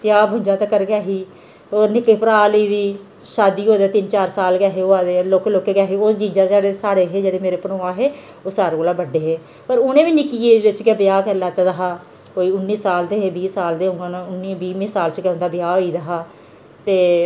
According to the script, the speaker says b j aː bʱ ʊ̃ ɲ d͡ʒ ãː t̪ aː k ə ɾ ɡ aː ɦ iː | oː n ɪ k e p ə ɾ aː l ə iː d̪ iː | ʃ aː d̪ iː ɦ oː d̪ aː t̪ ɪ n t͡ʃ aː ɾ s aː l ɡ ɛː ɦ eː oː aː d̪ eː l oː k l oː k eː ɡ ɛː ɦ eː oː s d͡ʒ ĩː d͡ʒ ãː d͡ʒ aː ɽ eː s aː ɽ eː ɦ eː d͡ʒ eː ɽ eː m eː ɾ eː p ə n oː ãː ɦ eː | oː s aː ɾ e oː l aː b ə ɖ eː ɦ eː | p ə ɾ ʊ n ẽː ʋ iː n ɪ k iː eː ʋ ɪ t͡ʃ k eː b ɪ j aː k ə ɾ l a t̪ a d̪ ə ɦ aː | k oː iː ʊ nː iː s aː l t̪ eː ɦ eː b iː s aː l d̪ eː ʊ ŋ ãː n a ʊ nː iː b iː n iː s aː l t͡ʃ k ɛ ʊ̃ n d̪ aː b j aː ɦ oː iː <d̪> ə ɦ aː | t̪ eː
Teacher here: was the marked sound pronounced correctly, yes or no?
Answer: yes